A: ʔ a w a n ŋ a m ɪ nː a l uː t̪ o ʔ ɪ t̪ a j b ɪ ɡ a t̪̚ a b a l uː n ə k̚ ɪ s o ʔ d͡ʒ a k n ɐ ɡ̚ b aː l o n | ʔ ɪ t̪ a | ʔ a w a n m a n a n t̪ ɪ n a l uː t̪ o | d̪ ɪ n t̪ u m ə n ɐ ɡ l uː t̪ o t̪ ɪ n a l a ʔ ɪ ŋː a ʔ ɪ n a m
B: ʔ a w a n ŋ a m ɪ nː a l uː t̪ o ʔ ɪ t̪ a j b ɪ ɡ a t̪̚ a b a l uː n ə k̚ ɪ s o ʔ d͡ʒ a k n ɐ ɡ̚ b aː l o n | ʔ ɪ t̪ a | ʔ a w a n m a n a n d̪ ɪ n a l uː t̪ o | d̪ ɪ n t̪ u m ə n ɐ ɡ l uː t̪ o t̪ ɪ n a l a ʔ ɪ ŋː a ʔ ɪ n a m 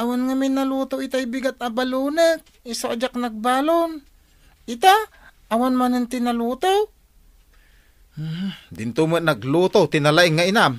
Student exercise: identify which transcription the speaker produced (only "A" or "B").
A